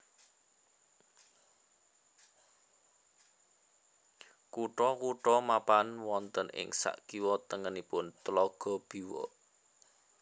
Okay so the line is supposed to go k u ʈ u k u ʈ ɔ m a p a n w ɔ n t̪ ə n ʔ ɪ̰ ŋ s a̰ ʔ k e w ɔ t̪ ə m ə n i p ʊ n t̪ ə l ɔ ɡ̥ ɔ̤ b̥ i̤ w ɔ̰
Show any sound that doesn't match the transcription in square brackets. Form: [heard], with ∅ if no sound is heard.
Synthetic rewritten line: k u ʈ [ɔ] k u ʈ ɔ m a p a n w ɔ n t̪ ə n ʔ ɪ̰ ŋ s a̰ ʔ k [i] w ɔ t̪ ə [ŋ] ə n i p ʊ n t̪ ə l ɔ ɡ̥ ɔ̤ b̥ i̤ w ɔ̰